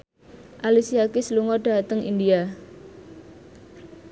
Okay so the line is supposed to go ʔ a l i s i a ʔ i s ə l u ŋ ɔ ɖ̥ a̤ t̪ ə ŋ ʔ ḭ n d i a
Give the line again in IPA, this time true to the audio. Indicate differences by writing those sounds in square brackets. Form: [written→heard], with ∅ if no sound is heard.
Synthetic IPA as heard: ʔ a l i s i a [ʔ→k] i s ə l u ŋ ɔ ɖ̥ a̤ t̪ ə ŋ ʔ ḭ n d i a